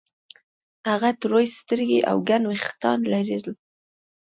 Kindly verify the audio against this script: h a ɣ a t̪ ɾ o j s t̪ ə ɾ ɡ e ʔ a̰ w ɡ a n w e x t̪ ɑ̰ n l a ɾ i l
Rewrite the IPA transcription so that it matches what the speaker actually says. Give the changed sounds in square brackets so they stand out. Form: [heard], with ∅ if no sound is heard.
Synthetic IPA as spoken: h a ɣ a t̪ ɾ o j s t̪ ə ɾ ɡ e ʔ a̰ w ɡ a n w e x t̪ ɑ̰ n l a ɾ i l

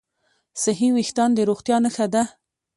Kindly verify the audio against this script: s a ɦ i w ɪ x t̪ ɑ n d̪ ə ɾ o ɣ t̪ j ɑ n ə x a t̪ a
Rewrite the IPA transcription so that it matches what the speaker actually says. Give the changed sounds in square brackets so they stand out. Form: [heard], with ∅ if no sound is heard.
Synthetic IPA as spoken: s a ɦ i w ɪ x t̪ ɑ n d̪ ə ɾ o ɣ t̪ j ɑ n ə x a [d̪] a

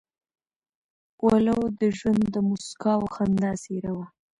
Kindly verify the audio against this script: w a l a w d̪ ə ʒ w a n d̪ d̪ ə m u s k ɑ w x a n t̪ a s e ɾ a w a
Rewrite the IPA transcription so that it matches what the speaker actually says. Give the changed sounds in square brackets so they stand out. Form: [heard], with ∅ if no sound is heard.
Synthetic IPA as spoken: w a l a w d̪ ə ʒ w a n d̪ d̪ ə m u s k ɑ w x a n [d̪] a s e ɾ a w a

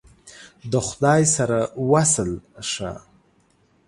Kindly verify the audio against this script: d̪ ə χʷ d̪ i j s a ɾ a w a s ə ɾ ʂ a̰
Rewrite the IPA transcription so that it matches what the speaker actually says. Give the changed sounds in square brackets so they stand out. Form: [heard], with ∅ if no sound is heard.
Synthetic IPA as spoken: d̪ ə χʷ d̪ [a] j s a ɾ a w a s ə [l] ʂ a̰

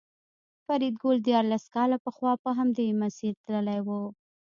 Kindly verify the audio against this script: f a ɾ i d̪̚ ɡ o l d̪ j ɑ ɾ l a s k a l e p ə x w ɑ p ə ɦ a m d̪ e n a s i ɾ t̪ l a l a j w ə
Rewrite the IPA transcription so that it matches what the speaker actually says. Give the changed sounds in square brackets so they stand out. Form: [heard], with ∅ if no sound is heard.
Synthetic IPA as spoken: f a ɾ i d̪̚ ɡ o l d̪ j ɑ ɾ l a s k [ɑ] l [a] p ə x w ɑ p ə ɦ a m d̪ e [m] a s i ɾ t̪ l [ə] l a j w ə

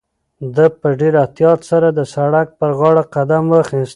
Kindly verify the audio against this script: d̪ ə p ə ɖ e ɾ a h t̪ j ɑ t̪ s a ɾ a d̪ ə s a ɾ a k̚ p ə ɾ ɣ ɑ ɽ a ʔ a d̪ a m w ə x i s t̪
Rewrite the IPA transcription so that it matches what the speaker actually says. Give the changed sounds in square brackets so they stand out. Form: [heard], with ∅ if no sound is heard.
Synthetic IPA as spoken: d̪ ə p ə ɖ e ɾ a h t̪ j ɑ t̪ s a ɾ a d̪ ə s a [ɽ] a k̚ p ə ɾ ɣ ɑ ɽ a [q] a d̪ a m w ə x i s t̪

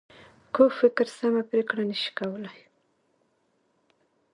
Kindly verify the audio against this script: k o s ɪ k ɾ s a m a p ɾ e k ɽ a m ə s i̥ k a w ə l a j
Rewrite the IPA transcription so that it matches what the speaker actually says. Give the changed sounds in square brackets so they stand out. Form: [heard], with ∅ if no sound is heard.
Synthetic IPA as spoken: k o [f] ɪ k ɾ s a m a p ɾ e k ɽ a [n] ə [ʃ] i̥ k a w ə l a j

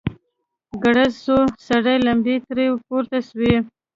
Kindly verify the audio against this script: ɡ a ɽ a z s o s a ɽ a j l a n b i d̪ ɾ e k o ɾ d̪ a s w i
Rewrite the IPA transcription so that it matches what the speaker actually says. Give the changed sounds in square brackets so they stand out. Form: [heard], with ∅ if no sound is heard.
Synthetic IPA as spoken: ɡ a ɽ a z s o s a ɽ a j l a [m] b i [t̪] ɾ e [p] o ɾ [t̪] a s w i

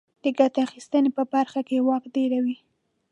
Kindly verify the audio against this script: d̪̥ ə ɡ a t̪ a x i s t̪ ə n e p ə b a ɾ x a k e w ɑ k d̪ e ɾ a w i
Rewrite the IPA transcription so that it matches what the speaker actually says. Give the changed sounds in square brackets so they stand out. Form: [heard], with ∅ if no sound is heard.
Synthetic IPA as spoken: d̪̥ ə ɡ a t̪ a x i s t̪ ə n e p ə b a ɾ x a k e w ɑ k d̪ e ɾ a w i

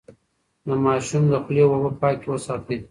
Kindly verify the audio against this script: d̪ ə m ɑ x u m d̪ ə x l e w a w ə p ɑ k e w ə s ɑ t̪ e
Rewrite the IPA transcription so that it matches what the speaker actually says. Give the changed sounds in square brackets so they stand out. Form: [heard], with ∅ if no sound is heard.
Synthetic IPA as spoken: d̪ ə m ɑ [ʃ] u m d̪ ə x l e w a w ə p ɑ k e w ə s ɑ t̪ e

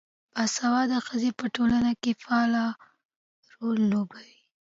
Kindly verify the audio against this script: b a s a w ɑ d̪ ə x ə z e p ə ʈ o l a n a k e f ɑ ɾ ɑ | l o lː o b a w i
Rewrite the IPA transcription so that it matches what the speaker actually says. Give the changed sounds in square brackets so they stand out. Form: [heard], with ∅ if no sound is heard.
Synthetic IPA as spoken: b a s a w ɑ d̪ ə x ə z e p ə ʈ o l a n a k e f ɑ [l] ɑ | [ɾ] o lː o b a w i

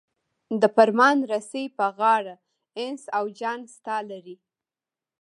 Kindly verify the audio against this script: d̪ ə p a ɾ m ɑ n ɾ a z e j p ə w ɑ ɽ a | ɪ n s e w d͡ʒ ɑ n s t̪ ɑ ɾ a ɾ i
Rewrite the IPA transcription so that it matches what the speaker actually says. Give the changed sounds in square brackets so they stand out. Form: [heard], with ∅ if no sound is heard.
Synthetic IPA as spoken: d̪ ə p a ɾ m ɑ n ɾ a [s] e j p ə [ɣ] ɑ ɽ a | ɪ n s [a] w d͡ʒ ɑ n s t̪ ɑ [l] a ɾ i

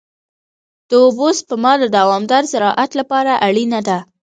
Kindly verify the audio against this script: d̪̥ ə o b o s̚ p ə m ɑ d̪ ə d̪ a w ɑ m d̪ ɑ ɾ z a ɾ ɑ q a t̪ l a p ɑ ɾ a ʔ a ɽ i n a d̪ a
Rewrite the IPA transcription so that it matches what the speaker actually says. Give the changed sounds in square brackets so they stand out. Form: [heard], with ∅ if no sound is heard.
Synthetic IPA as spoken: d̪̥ ə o b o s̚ p ə m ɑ d̪ ə d̪ a w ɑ m d̪ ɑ ɾ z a ɾ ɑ [ʔ] a t̪ l a p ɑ ɾ a ʔ a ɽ i n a d̪ a

